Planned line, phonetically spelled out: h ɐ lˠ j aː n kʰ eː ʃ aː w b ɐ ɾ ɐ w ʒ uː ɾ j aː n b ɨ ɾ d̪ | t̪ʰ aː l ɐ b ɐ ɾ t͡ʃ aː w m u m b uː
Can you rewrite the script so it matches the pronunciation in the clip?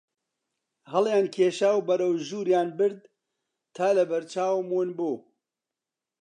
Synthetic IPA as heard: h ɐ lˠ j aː n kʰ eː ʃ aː w b ɐ ɾ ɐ w ʒ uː ɾ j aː n b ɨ ɾ d̪ | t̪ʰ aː l ɐ b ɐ ɾ t͡ʃ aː w m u n b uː